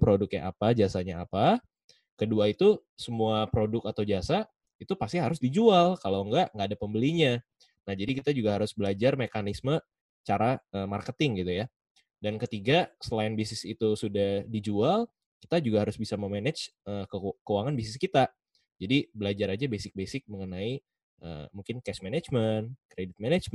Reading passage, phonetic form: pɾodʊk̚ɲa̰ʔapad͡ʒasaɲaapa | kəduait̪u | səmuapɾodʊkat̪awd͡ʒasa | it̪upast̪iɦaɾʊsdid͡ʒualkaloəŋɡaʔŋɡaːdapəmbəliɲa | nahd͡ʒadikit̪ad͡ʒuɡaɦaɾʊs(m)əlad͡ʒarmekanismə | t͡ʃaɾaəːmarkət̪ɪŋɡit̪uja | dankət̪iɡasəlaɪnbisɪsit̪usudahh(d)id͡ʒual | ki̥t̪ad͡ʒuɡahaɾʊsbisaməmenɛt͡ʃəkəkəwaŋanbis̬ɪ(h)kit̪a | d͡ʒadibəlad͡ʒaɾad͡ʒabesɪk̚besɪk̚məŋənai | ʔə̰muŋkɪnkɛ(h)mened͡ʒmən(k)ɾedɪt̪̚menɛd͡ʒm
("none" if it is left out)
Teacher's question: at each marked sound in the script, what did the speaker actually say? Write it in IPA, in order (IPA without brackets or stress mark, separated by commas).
b, d, s, s, k